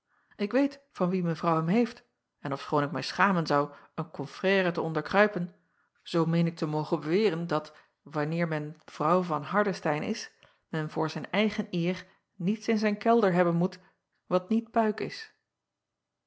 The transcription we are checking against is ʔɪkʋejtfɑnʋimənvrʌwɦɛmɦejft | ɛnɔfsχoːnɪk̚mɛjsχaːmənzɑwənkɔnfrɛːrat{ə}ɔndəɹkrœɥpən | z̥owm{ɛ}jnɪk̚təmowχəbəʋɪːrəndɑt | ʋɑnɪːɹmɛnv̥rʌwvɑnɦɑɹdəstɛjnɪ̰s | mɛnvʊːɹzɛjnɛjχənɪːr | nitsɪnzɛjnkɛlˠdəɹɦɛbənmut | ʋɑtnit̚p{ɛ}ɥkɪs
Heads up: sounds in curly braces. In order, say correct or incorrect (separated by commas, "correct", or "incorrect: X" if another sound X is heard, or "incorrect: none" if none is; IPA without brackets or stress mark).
correct, incorrect: e, incorrect: œ